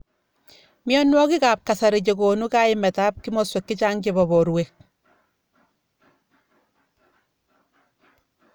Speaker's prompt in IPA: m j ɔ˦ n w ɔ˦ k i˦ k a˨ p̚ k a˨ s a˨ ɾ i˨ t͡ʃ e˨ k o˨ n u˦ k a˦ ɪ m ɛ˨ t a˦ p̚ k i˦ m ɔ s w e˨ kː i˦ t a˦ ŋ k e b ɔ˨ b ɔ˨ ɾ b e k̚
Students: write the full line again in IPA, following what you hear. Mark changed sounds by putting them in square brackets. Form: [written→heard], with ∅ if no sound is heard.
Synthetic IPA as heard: m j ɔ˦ n w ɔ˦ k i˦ k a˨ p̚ k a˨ s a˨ ɾ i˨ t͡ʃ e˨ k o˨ n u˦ k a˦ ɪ m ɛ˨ t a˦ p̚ k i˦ m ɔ s w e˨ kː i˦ [t→t͡ʃ] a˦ ŋ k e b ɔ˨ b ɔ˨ ɾ [b→w] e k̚

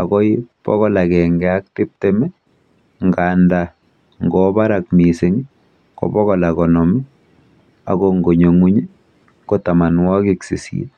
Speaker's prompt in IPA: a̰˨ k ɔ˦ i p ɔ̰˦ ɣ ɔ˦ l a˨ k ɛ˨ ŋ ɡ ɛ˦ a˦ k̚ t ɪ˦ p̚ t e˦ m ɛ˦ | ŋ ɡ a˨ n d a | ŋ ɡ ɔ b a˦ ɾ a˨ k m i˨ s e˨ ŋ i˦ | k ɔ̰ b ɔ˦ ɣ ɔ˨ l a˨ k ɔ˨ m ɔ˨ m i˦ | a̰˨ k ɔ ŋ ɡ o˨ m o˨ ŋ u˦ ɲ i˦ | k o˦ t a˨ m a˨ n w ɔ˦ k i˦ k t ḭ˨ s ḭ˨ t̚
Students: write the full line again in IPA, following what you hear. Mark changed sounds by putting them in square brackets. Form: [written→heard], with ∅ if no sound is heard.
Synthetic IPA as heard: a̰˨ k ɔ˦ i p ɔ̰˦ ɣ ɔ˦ l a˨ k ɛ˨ ŋ ɡ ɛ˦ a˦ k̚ t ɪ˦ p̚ t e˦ m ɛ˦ | ŋ ɡ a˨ n d a | ŋ ɡ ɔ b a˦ ɾ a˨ k m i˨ s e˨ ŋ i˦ | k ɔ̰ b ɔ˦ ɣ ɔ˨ l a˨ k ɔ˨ [m→n] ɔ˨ m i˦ | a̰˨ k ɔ ŋ ɡ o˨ [m→ɲ] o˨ ŋ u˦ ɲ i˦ | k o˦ t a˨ m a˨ n w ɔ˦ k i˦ k [t→s] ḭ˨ s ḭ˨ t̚

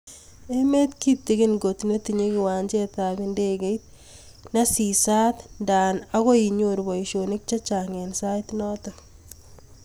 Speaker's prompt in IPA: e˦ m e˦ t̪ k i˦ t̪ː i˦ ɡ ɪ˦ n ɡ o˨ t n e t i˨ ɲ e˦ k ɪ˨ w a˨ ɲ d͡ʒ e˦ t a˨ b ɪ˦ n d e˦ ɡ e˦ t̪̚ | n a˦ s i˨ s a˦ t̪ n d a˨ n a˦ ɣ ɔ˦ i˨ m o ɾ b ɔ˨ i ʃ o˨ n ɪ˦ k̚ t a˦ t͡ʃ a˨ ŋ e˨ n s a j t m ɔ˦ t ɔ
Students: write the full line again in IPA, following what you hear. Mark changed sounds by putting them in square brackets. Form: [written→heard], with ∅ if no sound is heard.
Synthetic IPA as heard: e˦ m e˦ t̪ k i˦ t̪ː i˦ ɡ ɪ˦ n ɡ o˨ t n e t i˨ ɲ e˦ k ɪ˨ w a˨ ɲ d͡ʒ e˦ t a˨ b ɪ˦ n d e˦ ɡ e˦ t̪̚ | n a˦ s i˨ s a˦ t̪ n d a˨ n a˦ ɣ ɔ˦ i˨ [m→ɲ] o ɾ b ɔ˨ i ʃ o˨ n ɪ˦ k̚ [t→t͡ʃ] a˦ t͡ʃ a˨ ŋ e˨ n s a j t [m→n] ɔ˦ t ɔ

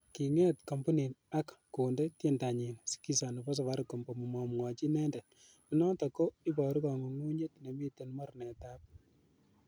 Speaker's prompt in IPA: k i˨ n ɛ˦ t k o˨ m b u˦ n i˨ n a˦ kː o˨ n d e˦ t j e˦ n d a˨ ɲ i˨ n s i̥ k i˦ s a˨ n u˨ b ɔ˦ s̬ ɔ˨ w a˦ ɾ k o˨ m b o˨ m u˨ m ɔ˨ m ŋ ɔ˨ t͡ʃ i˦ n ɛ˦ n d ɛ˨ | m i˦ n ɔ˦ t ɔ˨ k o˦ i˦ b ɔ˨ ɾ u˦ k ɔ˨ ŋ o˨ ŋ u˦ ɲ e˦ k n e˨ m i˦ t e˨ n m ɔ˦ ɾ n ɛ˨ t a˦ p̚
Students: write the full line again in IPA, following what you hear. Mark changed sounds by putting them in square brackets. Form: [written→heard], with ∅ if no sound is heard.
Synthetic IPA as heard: k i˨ [n→ŋ] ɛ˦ t k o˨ m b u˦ n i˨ n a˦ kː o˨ n d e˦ t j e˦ n d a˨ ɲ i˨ n s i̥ k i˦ s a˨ n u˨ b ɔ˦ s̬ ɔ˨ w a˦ ɾ k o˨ m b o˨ m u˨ m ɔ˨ m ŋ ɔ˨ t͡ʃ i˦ n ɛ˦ n d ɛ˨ | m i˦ n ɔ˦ t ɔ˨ k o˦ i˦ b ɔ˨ ɾ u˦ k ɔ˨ ŋ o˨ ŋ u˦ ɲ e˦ [k→t] n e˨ m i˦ t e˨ n m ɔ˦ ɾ n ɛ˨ t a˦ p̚

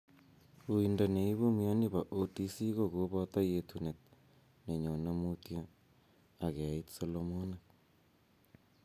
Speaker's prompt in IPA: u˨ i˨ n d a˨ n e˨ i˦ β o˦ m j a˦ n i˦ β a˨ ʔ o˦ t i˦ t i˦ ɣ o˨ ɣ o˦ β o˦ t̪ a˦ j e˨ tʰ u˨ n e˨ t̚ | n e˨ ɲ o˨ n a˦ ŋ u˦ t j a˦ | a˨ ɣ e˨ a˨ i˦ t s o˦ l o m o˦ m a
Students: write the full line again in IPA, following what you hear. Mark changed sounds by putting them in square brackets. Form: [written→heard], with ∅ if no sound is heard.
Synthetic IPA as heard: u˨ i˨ n d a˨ n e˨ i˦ β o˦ m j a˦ n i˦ β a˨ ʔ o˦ t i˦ [t→s] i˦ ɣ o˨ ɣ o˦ β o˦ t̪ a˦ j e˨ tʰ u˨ n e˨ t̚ | n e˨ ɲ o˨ n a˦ [ŋ→m] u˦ t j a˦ | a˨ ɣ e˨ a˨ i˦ t s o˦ l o m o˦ [m→n] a

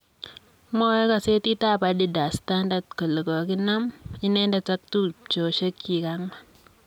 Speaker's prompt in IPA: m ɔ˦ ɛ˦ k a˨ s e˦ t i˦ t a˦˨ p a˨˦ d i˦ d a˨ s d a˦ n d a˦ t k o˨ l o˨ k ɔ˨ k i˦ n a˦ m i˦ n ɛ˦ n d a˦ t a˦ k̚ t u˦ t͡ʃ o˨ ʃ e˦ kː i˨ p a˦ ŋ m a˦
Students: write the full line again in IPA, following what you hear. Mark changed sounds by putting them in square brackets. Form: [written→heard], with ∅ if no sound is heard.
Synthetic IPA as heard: m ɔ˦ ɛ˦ k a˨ s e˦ t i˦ t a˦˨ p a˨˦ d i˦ d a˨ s [d→t] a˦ n d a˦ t k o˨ l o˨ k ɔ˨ k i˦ n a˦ m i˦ n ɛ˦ n d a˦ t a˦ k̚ t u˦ t͡ʃ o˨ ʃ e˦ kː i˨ [p→k] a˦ ŋ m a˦

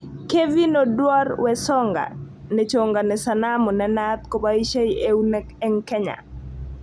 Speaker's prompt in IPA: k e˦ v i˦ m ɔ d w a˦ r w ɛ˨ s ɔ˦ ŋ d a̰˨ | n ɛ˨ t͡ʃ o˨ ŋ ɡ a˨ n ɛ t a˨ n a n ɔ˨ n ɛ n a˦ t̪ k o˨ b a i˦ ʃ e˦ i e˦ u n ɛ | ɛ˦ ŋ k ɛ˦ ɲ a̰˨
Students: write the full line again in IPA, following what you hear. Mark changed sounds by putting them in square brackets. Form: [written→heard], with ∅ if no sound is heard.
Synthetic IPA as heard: k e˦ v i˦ [m→n] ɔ d w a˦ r w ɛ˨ s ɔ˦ ŋ [d→ɡ] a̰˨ | n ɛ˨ t͡ʃ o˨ ŋ ɡ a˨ n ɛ [t→s] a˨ n a [n→m] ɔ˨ n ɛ n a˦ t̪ k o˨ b a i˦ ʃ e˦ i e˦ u n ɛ | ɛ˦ ŋ k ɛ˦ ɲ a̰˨

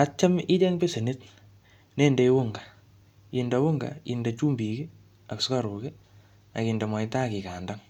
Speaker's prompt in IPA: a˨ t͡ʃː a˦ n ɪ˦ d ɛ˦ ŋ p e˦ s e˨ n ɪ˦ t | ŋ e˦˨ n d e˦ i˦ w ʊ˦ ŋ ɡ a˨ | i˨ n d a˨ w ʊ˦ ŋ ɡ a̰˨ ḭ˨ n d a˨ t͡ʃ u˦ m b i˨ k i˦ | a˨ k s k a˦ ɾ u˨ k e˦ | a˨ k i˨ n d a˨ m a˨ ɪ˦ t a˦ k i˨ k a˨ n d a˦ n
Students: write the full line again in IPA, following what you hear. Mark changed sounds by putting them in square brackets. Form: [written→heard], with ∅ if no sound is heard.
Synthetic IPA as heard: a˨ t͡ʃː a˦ [n→m] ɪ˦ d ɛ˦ ŋ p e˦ s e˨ n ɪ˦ t | [ŋ→n] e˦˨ n d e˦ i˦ w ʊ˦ ŋ ɡ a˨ | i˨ n d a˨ w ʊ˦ ŋ ɡ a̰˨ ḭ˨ n d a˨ t͡ʃ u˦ m b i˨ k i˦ | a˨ k s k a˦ ɾ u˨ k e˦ | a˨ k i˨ n d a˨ m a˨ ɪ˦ t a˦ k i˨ k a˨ n d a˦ [n→ŋ]

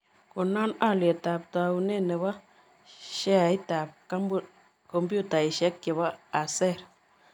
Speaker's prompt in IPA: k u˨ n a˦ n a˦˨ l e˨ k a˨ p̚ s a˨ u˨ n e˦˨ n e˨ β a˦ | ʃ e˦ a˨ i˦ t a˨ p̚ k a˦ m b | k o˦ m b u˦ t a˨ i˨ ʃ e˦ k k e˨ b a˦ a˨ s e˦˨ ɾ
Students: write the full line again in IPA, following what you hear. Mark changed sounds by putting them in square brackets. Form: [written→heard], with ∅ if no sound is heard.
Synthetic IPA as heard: k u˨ n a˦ n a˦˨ l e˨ [k→t] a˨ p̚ [s→t] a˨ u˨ n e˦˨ n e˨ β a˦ | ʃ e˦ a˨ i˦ t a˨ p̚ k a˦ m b | k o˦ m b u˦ t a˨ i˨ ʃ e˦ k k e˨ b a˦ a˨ s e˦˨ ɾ

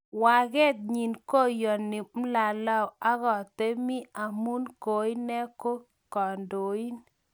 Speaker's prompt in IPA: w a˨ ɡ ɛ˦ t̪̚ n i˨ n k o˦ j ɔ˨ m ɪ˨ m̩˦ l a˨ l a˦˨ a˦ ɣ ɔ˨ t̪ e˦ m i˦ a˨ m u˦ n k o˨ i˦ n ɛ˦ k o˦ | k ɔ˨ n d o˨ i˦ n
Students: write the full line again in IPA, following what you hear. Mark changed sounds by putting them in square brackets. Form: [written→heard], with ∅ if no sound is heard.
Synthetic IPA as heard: w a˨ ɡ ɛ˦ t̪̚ [n→ɲ] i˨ n k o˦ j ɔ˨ [m→n] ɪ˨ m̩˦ l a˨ l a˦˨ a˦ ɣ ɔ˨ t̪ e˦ m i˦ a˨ m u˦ n k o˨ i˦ n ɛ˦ k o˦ | k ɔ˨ n d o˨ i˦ n

